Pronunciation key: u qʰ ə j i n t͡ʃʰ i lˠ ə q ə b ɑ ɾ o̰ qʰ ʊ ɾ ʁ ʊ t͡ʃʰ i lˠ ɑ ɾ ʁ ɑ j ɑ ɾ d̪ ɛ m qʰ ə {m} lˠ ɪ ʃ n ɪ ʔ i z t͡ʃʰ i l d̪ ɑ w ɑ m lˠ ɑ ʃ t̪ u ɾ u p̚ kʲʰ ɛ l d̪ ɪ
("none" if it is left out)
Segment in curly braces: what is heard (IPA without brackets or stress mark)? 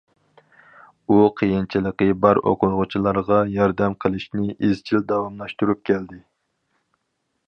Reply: none